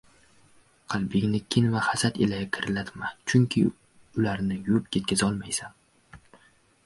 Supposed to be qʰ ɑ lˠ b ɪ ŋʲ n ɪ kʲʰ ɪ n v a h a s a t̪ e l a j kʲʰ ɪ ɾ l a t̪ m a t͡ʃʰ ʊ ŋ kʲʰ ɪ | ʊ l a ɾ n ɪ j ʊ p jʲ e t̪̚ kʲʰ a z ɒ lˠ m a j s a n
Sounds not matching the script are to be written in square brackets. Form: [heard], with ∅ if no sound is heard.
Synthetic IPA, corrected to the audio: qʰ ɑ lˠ b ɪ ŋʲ n ɪ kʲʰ ɪ n v a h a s a t̪ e l a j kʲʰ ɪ ɾ l a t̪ m a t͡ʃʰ ʊ ŋ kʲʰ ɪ | ʊ l a ɾ n ɪ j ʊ p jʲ e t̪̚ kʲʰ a z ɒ lˠ m a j s a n